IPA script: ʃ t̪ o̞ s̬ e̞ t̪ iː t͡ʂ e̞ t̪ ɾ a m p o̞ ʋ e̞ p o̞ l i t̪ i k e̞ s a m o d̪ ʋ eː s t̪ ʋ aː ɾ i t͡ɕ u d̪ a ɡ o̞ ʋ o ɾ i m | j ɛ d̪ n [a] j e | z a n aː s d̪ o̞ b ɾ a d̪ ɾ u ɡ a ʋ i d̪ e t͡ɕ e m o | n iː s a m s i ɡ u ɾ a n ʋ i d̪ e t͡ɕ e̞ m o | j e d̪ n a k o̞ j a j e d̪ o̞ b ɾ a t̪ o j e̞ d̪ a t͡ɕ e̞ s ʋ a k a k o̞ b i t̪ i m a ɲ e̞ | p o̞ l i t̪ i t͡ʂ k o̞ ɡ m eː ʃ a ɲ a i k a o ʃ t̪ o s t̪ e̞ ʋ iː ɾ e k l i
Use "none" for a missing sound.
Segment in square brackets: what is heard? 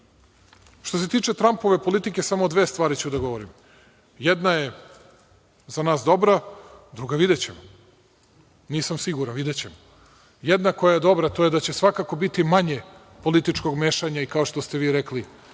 a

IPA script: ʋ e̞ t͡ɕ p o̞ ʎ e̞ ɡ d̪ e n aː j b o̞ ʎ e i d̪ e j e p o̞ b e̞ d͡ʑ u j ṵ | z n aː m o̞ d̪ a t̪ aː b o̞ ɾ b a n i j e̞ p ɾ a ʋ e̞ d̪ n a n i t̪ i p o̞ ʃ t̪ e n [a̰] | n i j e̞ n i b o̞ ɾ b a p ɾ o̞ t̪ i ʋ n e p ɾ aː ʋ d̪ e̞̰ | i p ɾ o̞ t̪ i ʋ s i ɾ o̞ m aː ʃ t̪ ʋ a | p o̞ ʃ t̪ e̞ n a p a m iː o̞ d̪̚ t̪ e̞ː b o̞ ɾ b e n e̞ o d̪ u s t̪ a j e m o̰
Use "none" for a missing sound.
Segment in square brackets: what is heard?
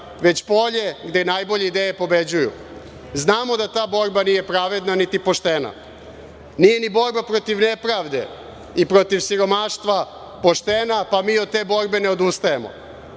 a̰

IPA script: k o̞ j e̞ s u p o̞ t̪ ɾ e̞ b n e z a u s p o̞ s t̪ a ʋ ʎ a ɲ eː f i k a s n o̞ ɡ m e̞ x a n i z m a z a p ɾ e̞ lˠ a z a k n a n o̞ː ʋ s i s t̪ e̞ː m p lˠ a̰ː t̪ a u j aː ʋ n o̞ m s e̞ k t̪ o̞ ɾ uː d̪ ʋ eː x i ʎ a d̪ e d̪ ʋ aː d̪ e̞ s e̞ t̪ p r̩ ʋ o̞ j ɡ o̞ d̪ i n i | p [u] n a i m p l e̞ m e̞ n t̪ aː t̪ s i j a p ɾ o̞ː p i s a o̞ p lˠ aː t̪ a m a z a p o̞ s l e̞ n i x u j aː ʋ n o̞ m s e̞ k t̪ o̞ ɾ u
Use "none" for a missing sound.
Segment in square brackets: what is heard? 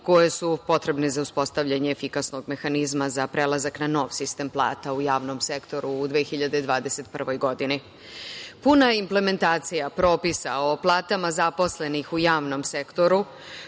u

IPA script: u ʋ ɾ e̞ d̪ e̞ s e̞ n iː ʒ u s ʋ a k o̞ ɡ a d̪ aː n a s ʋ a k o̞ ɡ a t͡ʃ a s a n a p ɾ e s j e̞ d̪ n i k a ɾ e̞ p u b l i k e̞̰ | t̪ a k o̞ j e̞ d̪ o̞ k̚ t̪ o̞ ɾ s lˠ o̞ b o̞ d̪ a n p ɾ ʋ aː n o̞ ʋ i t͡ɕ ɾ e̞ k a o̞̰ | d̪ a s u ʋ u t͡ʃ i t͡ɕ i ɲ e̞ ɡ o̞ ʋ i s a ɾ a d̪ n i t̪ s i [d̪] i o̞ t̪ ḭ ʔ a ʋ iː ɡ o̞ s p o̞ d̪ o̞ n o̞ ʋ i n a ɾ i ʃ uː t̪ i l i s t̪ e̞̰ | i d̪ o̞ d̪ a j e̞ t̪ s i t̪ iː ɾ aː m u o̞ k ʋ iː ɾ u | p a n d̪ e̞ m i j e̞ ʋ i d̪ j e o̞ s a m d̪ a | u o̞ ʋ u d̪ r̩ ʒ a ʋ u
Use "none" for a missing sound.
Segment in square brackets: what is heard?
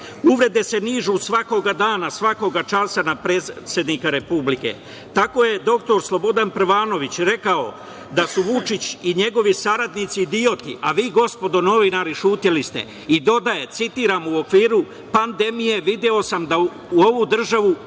d̪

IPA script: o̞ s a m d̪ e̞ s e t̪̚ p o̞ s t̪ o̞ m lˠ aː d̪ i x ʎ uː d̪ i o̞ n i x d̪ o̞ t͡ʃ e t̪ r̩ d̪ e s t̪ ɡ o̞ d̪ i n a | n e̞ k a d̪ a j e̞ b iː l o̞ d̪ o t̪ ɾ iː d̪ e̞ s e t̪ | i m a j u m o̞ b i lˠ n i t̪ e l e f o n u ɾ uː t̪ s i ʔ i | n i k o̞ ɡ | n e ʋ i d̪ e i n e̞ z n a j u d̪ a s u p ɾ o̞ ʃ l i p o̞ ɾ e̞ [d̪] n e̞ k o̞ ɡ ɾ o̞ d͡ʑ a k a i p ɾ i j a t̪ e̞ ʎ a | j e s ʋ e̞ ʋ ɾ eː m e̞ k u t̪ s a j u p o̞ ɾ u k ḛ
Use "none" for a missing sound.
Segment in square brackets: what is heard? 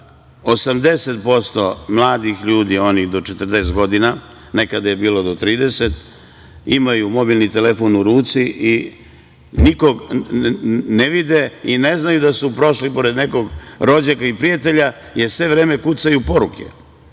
d̪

